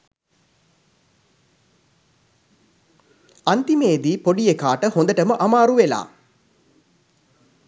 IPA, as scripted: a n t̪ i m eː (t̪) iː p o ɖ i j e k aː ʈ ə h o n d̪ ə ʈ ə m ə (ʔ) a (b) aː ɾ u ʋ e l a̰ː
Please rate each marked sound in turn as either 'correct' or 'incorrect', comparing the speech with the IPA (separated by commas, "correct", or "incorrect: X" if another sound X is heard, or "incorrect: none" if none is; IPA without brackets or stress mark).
incorrect: d̪, correct, incorrect: m